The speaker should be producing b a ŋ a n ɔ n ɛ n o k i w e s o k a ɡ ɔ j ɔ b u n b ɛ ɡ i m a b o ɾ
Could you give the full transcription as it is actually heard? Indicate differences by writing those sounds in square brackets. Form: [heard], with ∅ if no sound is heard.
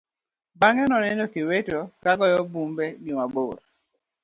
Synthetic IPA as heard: b a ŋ [ɛ] n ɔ n ɛ n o k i w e [t] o k a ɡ ɔ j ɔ b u [m] b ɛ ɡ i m a b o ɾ